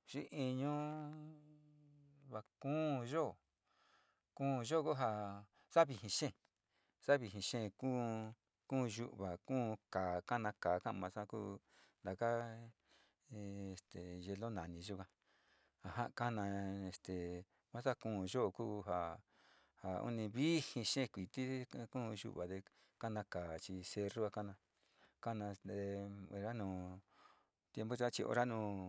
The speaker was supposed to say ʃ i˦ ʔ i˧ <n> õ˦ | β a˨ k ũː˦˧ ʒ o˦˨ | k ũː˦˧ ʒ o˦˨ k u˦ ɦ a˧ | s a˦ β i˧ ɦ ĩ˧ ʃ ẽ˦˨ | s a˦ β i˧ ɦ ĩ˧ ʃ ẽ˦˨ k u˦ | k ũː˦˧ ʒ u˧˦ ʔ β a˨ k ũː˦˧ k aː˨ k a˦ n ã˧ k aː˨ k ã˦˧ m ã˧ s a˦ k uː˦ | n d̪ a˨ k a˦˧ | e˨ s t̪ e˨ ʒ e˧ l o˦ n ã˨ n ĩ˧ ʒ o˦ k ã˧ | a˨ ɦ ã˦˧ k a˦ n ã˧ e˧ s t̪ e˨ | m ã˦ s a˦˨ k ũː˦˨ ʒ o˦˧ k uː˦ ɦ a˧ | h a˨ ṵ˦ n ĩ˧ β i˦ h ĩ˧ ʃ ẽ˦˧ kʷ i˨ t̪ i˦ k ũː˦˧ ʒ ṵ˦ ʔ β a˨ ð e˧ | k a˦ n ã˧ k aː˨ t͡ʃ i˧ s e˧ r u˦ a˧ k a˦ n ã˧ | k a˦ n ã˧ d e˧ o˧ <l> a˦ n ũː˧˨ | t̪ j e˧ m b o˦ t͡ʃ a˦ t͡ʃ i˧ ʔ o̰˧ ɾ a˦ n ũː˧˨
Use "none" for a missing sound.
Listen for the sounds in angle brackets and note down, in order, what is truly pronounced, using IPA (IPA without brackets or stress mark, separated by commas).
ɲ, ɾ